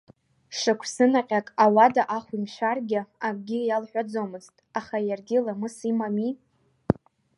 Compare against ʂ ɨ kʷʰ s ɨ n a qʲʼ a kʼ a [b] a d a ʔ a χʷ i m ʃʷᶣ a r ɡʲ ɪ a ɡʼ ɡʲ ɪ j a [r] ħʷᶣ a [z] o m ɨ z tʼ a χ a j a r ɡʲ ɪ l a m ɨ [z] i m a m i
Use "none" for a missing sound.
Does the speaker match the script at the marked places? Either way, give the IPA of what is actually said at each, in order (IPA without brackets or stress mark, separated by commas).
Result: w, l, d͡z, s